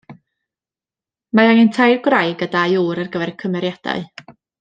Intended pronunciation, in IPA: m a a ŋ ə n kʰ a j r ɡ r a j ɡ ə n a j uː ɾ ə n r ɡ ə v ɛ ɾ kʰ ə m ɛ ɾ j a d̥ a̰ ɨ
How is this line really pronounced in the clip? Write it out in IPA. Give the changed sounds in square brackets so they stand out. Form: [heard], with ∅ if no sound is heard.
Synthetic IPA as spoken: m a a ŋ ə n [tʰ] a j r ɡ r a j ɡ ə [d] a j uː ɾ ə [∅] r ɡ ə v ɛ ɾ kʰ ə m ɛ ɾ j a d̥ a̰ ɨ